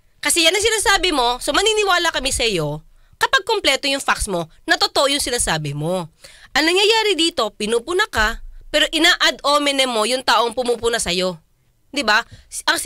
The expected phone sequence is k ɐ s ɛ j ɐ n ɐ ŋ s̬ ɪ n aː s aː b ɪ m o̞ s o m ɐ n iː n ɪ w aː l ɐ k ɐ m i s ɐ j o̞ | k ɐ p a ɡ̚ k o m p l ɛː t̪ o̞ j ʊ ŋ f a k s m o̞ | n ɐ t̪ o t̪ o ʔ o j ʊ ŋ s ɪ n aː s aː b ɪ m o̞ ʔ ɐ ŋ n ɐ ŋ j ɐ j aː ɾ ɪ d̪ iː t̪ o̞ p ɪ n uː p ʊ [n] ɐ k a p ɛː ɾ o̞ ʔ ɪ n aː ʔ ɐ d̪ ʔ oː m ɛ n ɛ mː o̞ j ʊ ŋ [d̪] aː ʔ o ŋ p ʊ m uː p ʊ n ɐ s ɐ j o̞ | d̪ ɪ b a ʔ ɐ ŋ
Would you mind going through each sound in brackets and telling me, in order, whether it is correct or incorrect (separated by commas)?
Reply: correct, incorrect